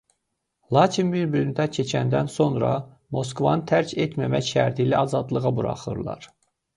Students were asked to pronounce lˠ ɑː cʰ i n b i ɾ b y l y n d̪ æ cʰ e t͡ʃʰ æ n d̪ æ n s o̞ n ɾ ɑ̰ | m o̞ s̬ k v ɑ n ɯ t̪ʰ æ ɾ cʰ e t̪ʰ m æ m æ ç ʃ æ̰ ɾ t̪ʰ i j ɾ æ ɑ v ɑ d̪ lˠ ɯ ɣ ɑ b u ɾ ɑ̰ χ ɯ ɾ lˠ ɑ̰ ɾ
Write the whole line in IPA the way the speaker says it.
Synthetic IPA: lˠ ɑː cʰ i n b i ɾ b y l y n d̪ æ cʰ e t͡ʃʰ æ n d̪ æ n s o̞ n ɾ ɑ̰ | m o̞ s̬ k v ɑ n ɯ t̪ʰ æ ɾ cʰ e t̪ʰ m æ m æ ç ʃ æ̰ ɾ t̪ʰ i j l æ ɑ z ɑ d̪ lˠ ɯ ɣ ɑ b u ɾ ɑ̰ χ ɯ ɾ lˠ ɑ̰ ɾ